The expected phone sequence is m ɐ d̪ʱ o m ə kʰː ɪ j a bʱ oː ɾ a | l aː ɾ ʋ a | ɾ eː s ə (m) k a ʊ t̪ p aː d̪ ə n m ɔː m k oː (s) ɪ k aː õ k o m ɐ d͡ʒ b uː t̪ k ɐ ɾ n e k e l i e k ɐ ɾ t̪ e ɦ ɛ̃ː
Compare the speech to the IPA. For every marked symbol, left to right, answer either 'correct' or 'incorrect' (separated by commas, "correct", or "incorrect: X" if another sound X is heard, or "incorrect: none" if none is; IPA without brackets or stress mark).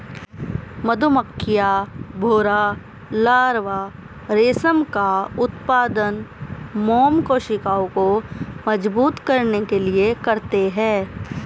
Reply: correct, incorrect: ʃ